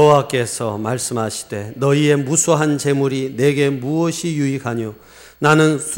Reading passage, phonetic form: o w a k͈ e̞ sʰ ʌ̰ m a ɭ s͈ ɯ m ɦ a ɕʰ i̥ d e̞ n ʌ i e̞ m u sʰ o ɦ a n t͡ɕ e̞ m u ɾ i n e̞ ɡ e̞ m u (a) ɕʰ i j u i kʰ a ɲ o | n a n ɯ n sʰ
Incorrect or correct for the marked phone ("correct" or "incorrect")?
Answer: incorrect